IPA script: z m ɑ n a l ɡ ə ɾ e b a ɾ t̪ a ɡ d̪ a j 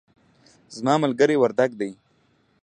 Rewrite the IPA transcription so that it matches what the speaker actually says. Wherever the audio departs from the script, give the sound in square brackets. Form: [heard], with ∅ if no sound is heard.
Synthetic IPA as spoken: z m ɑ [m] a l ɡ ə ɾ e [w] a ɾ [d̪] a ɡ d̪ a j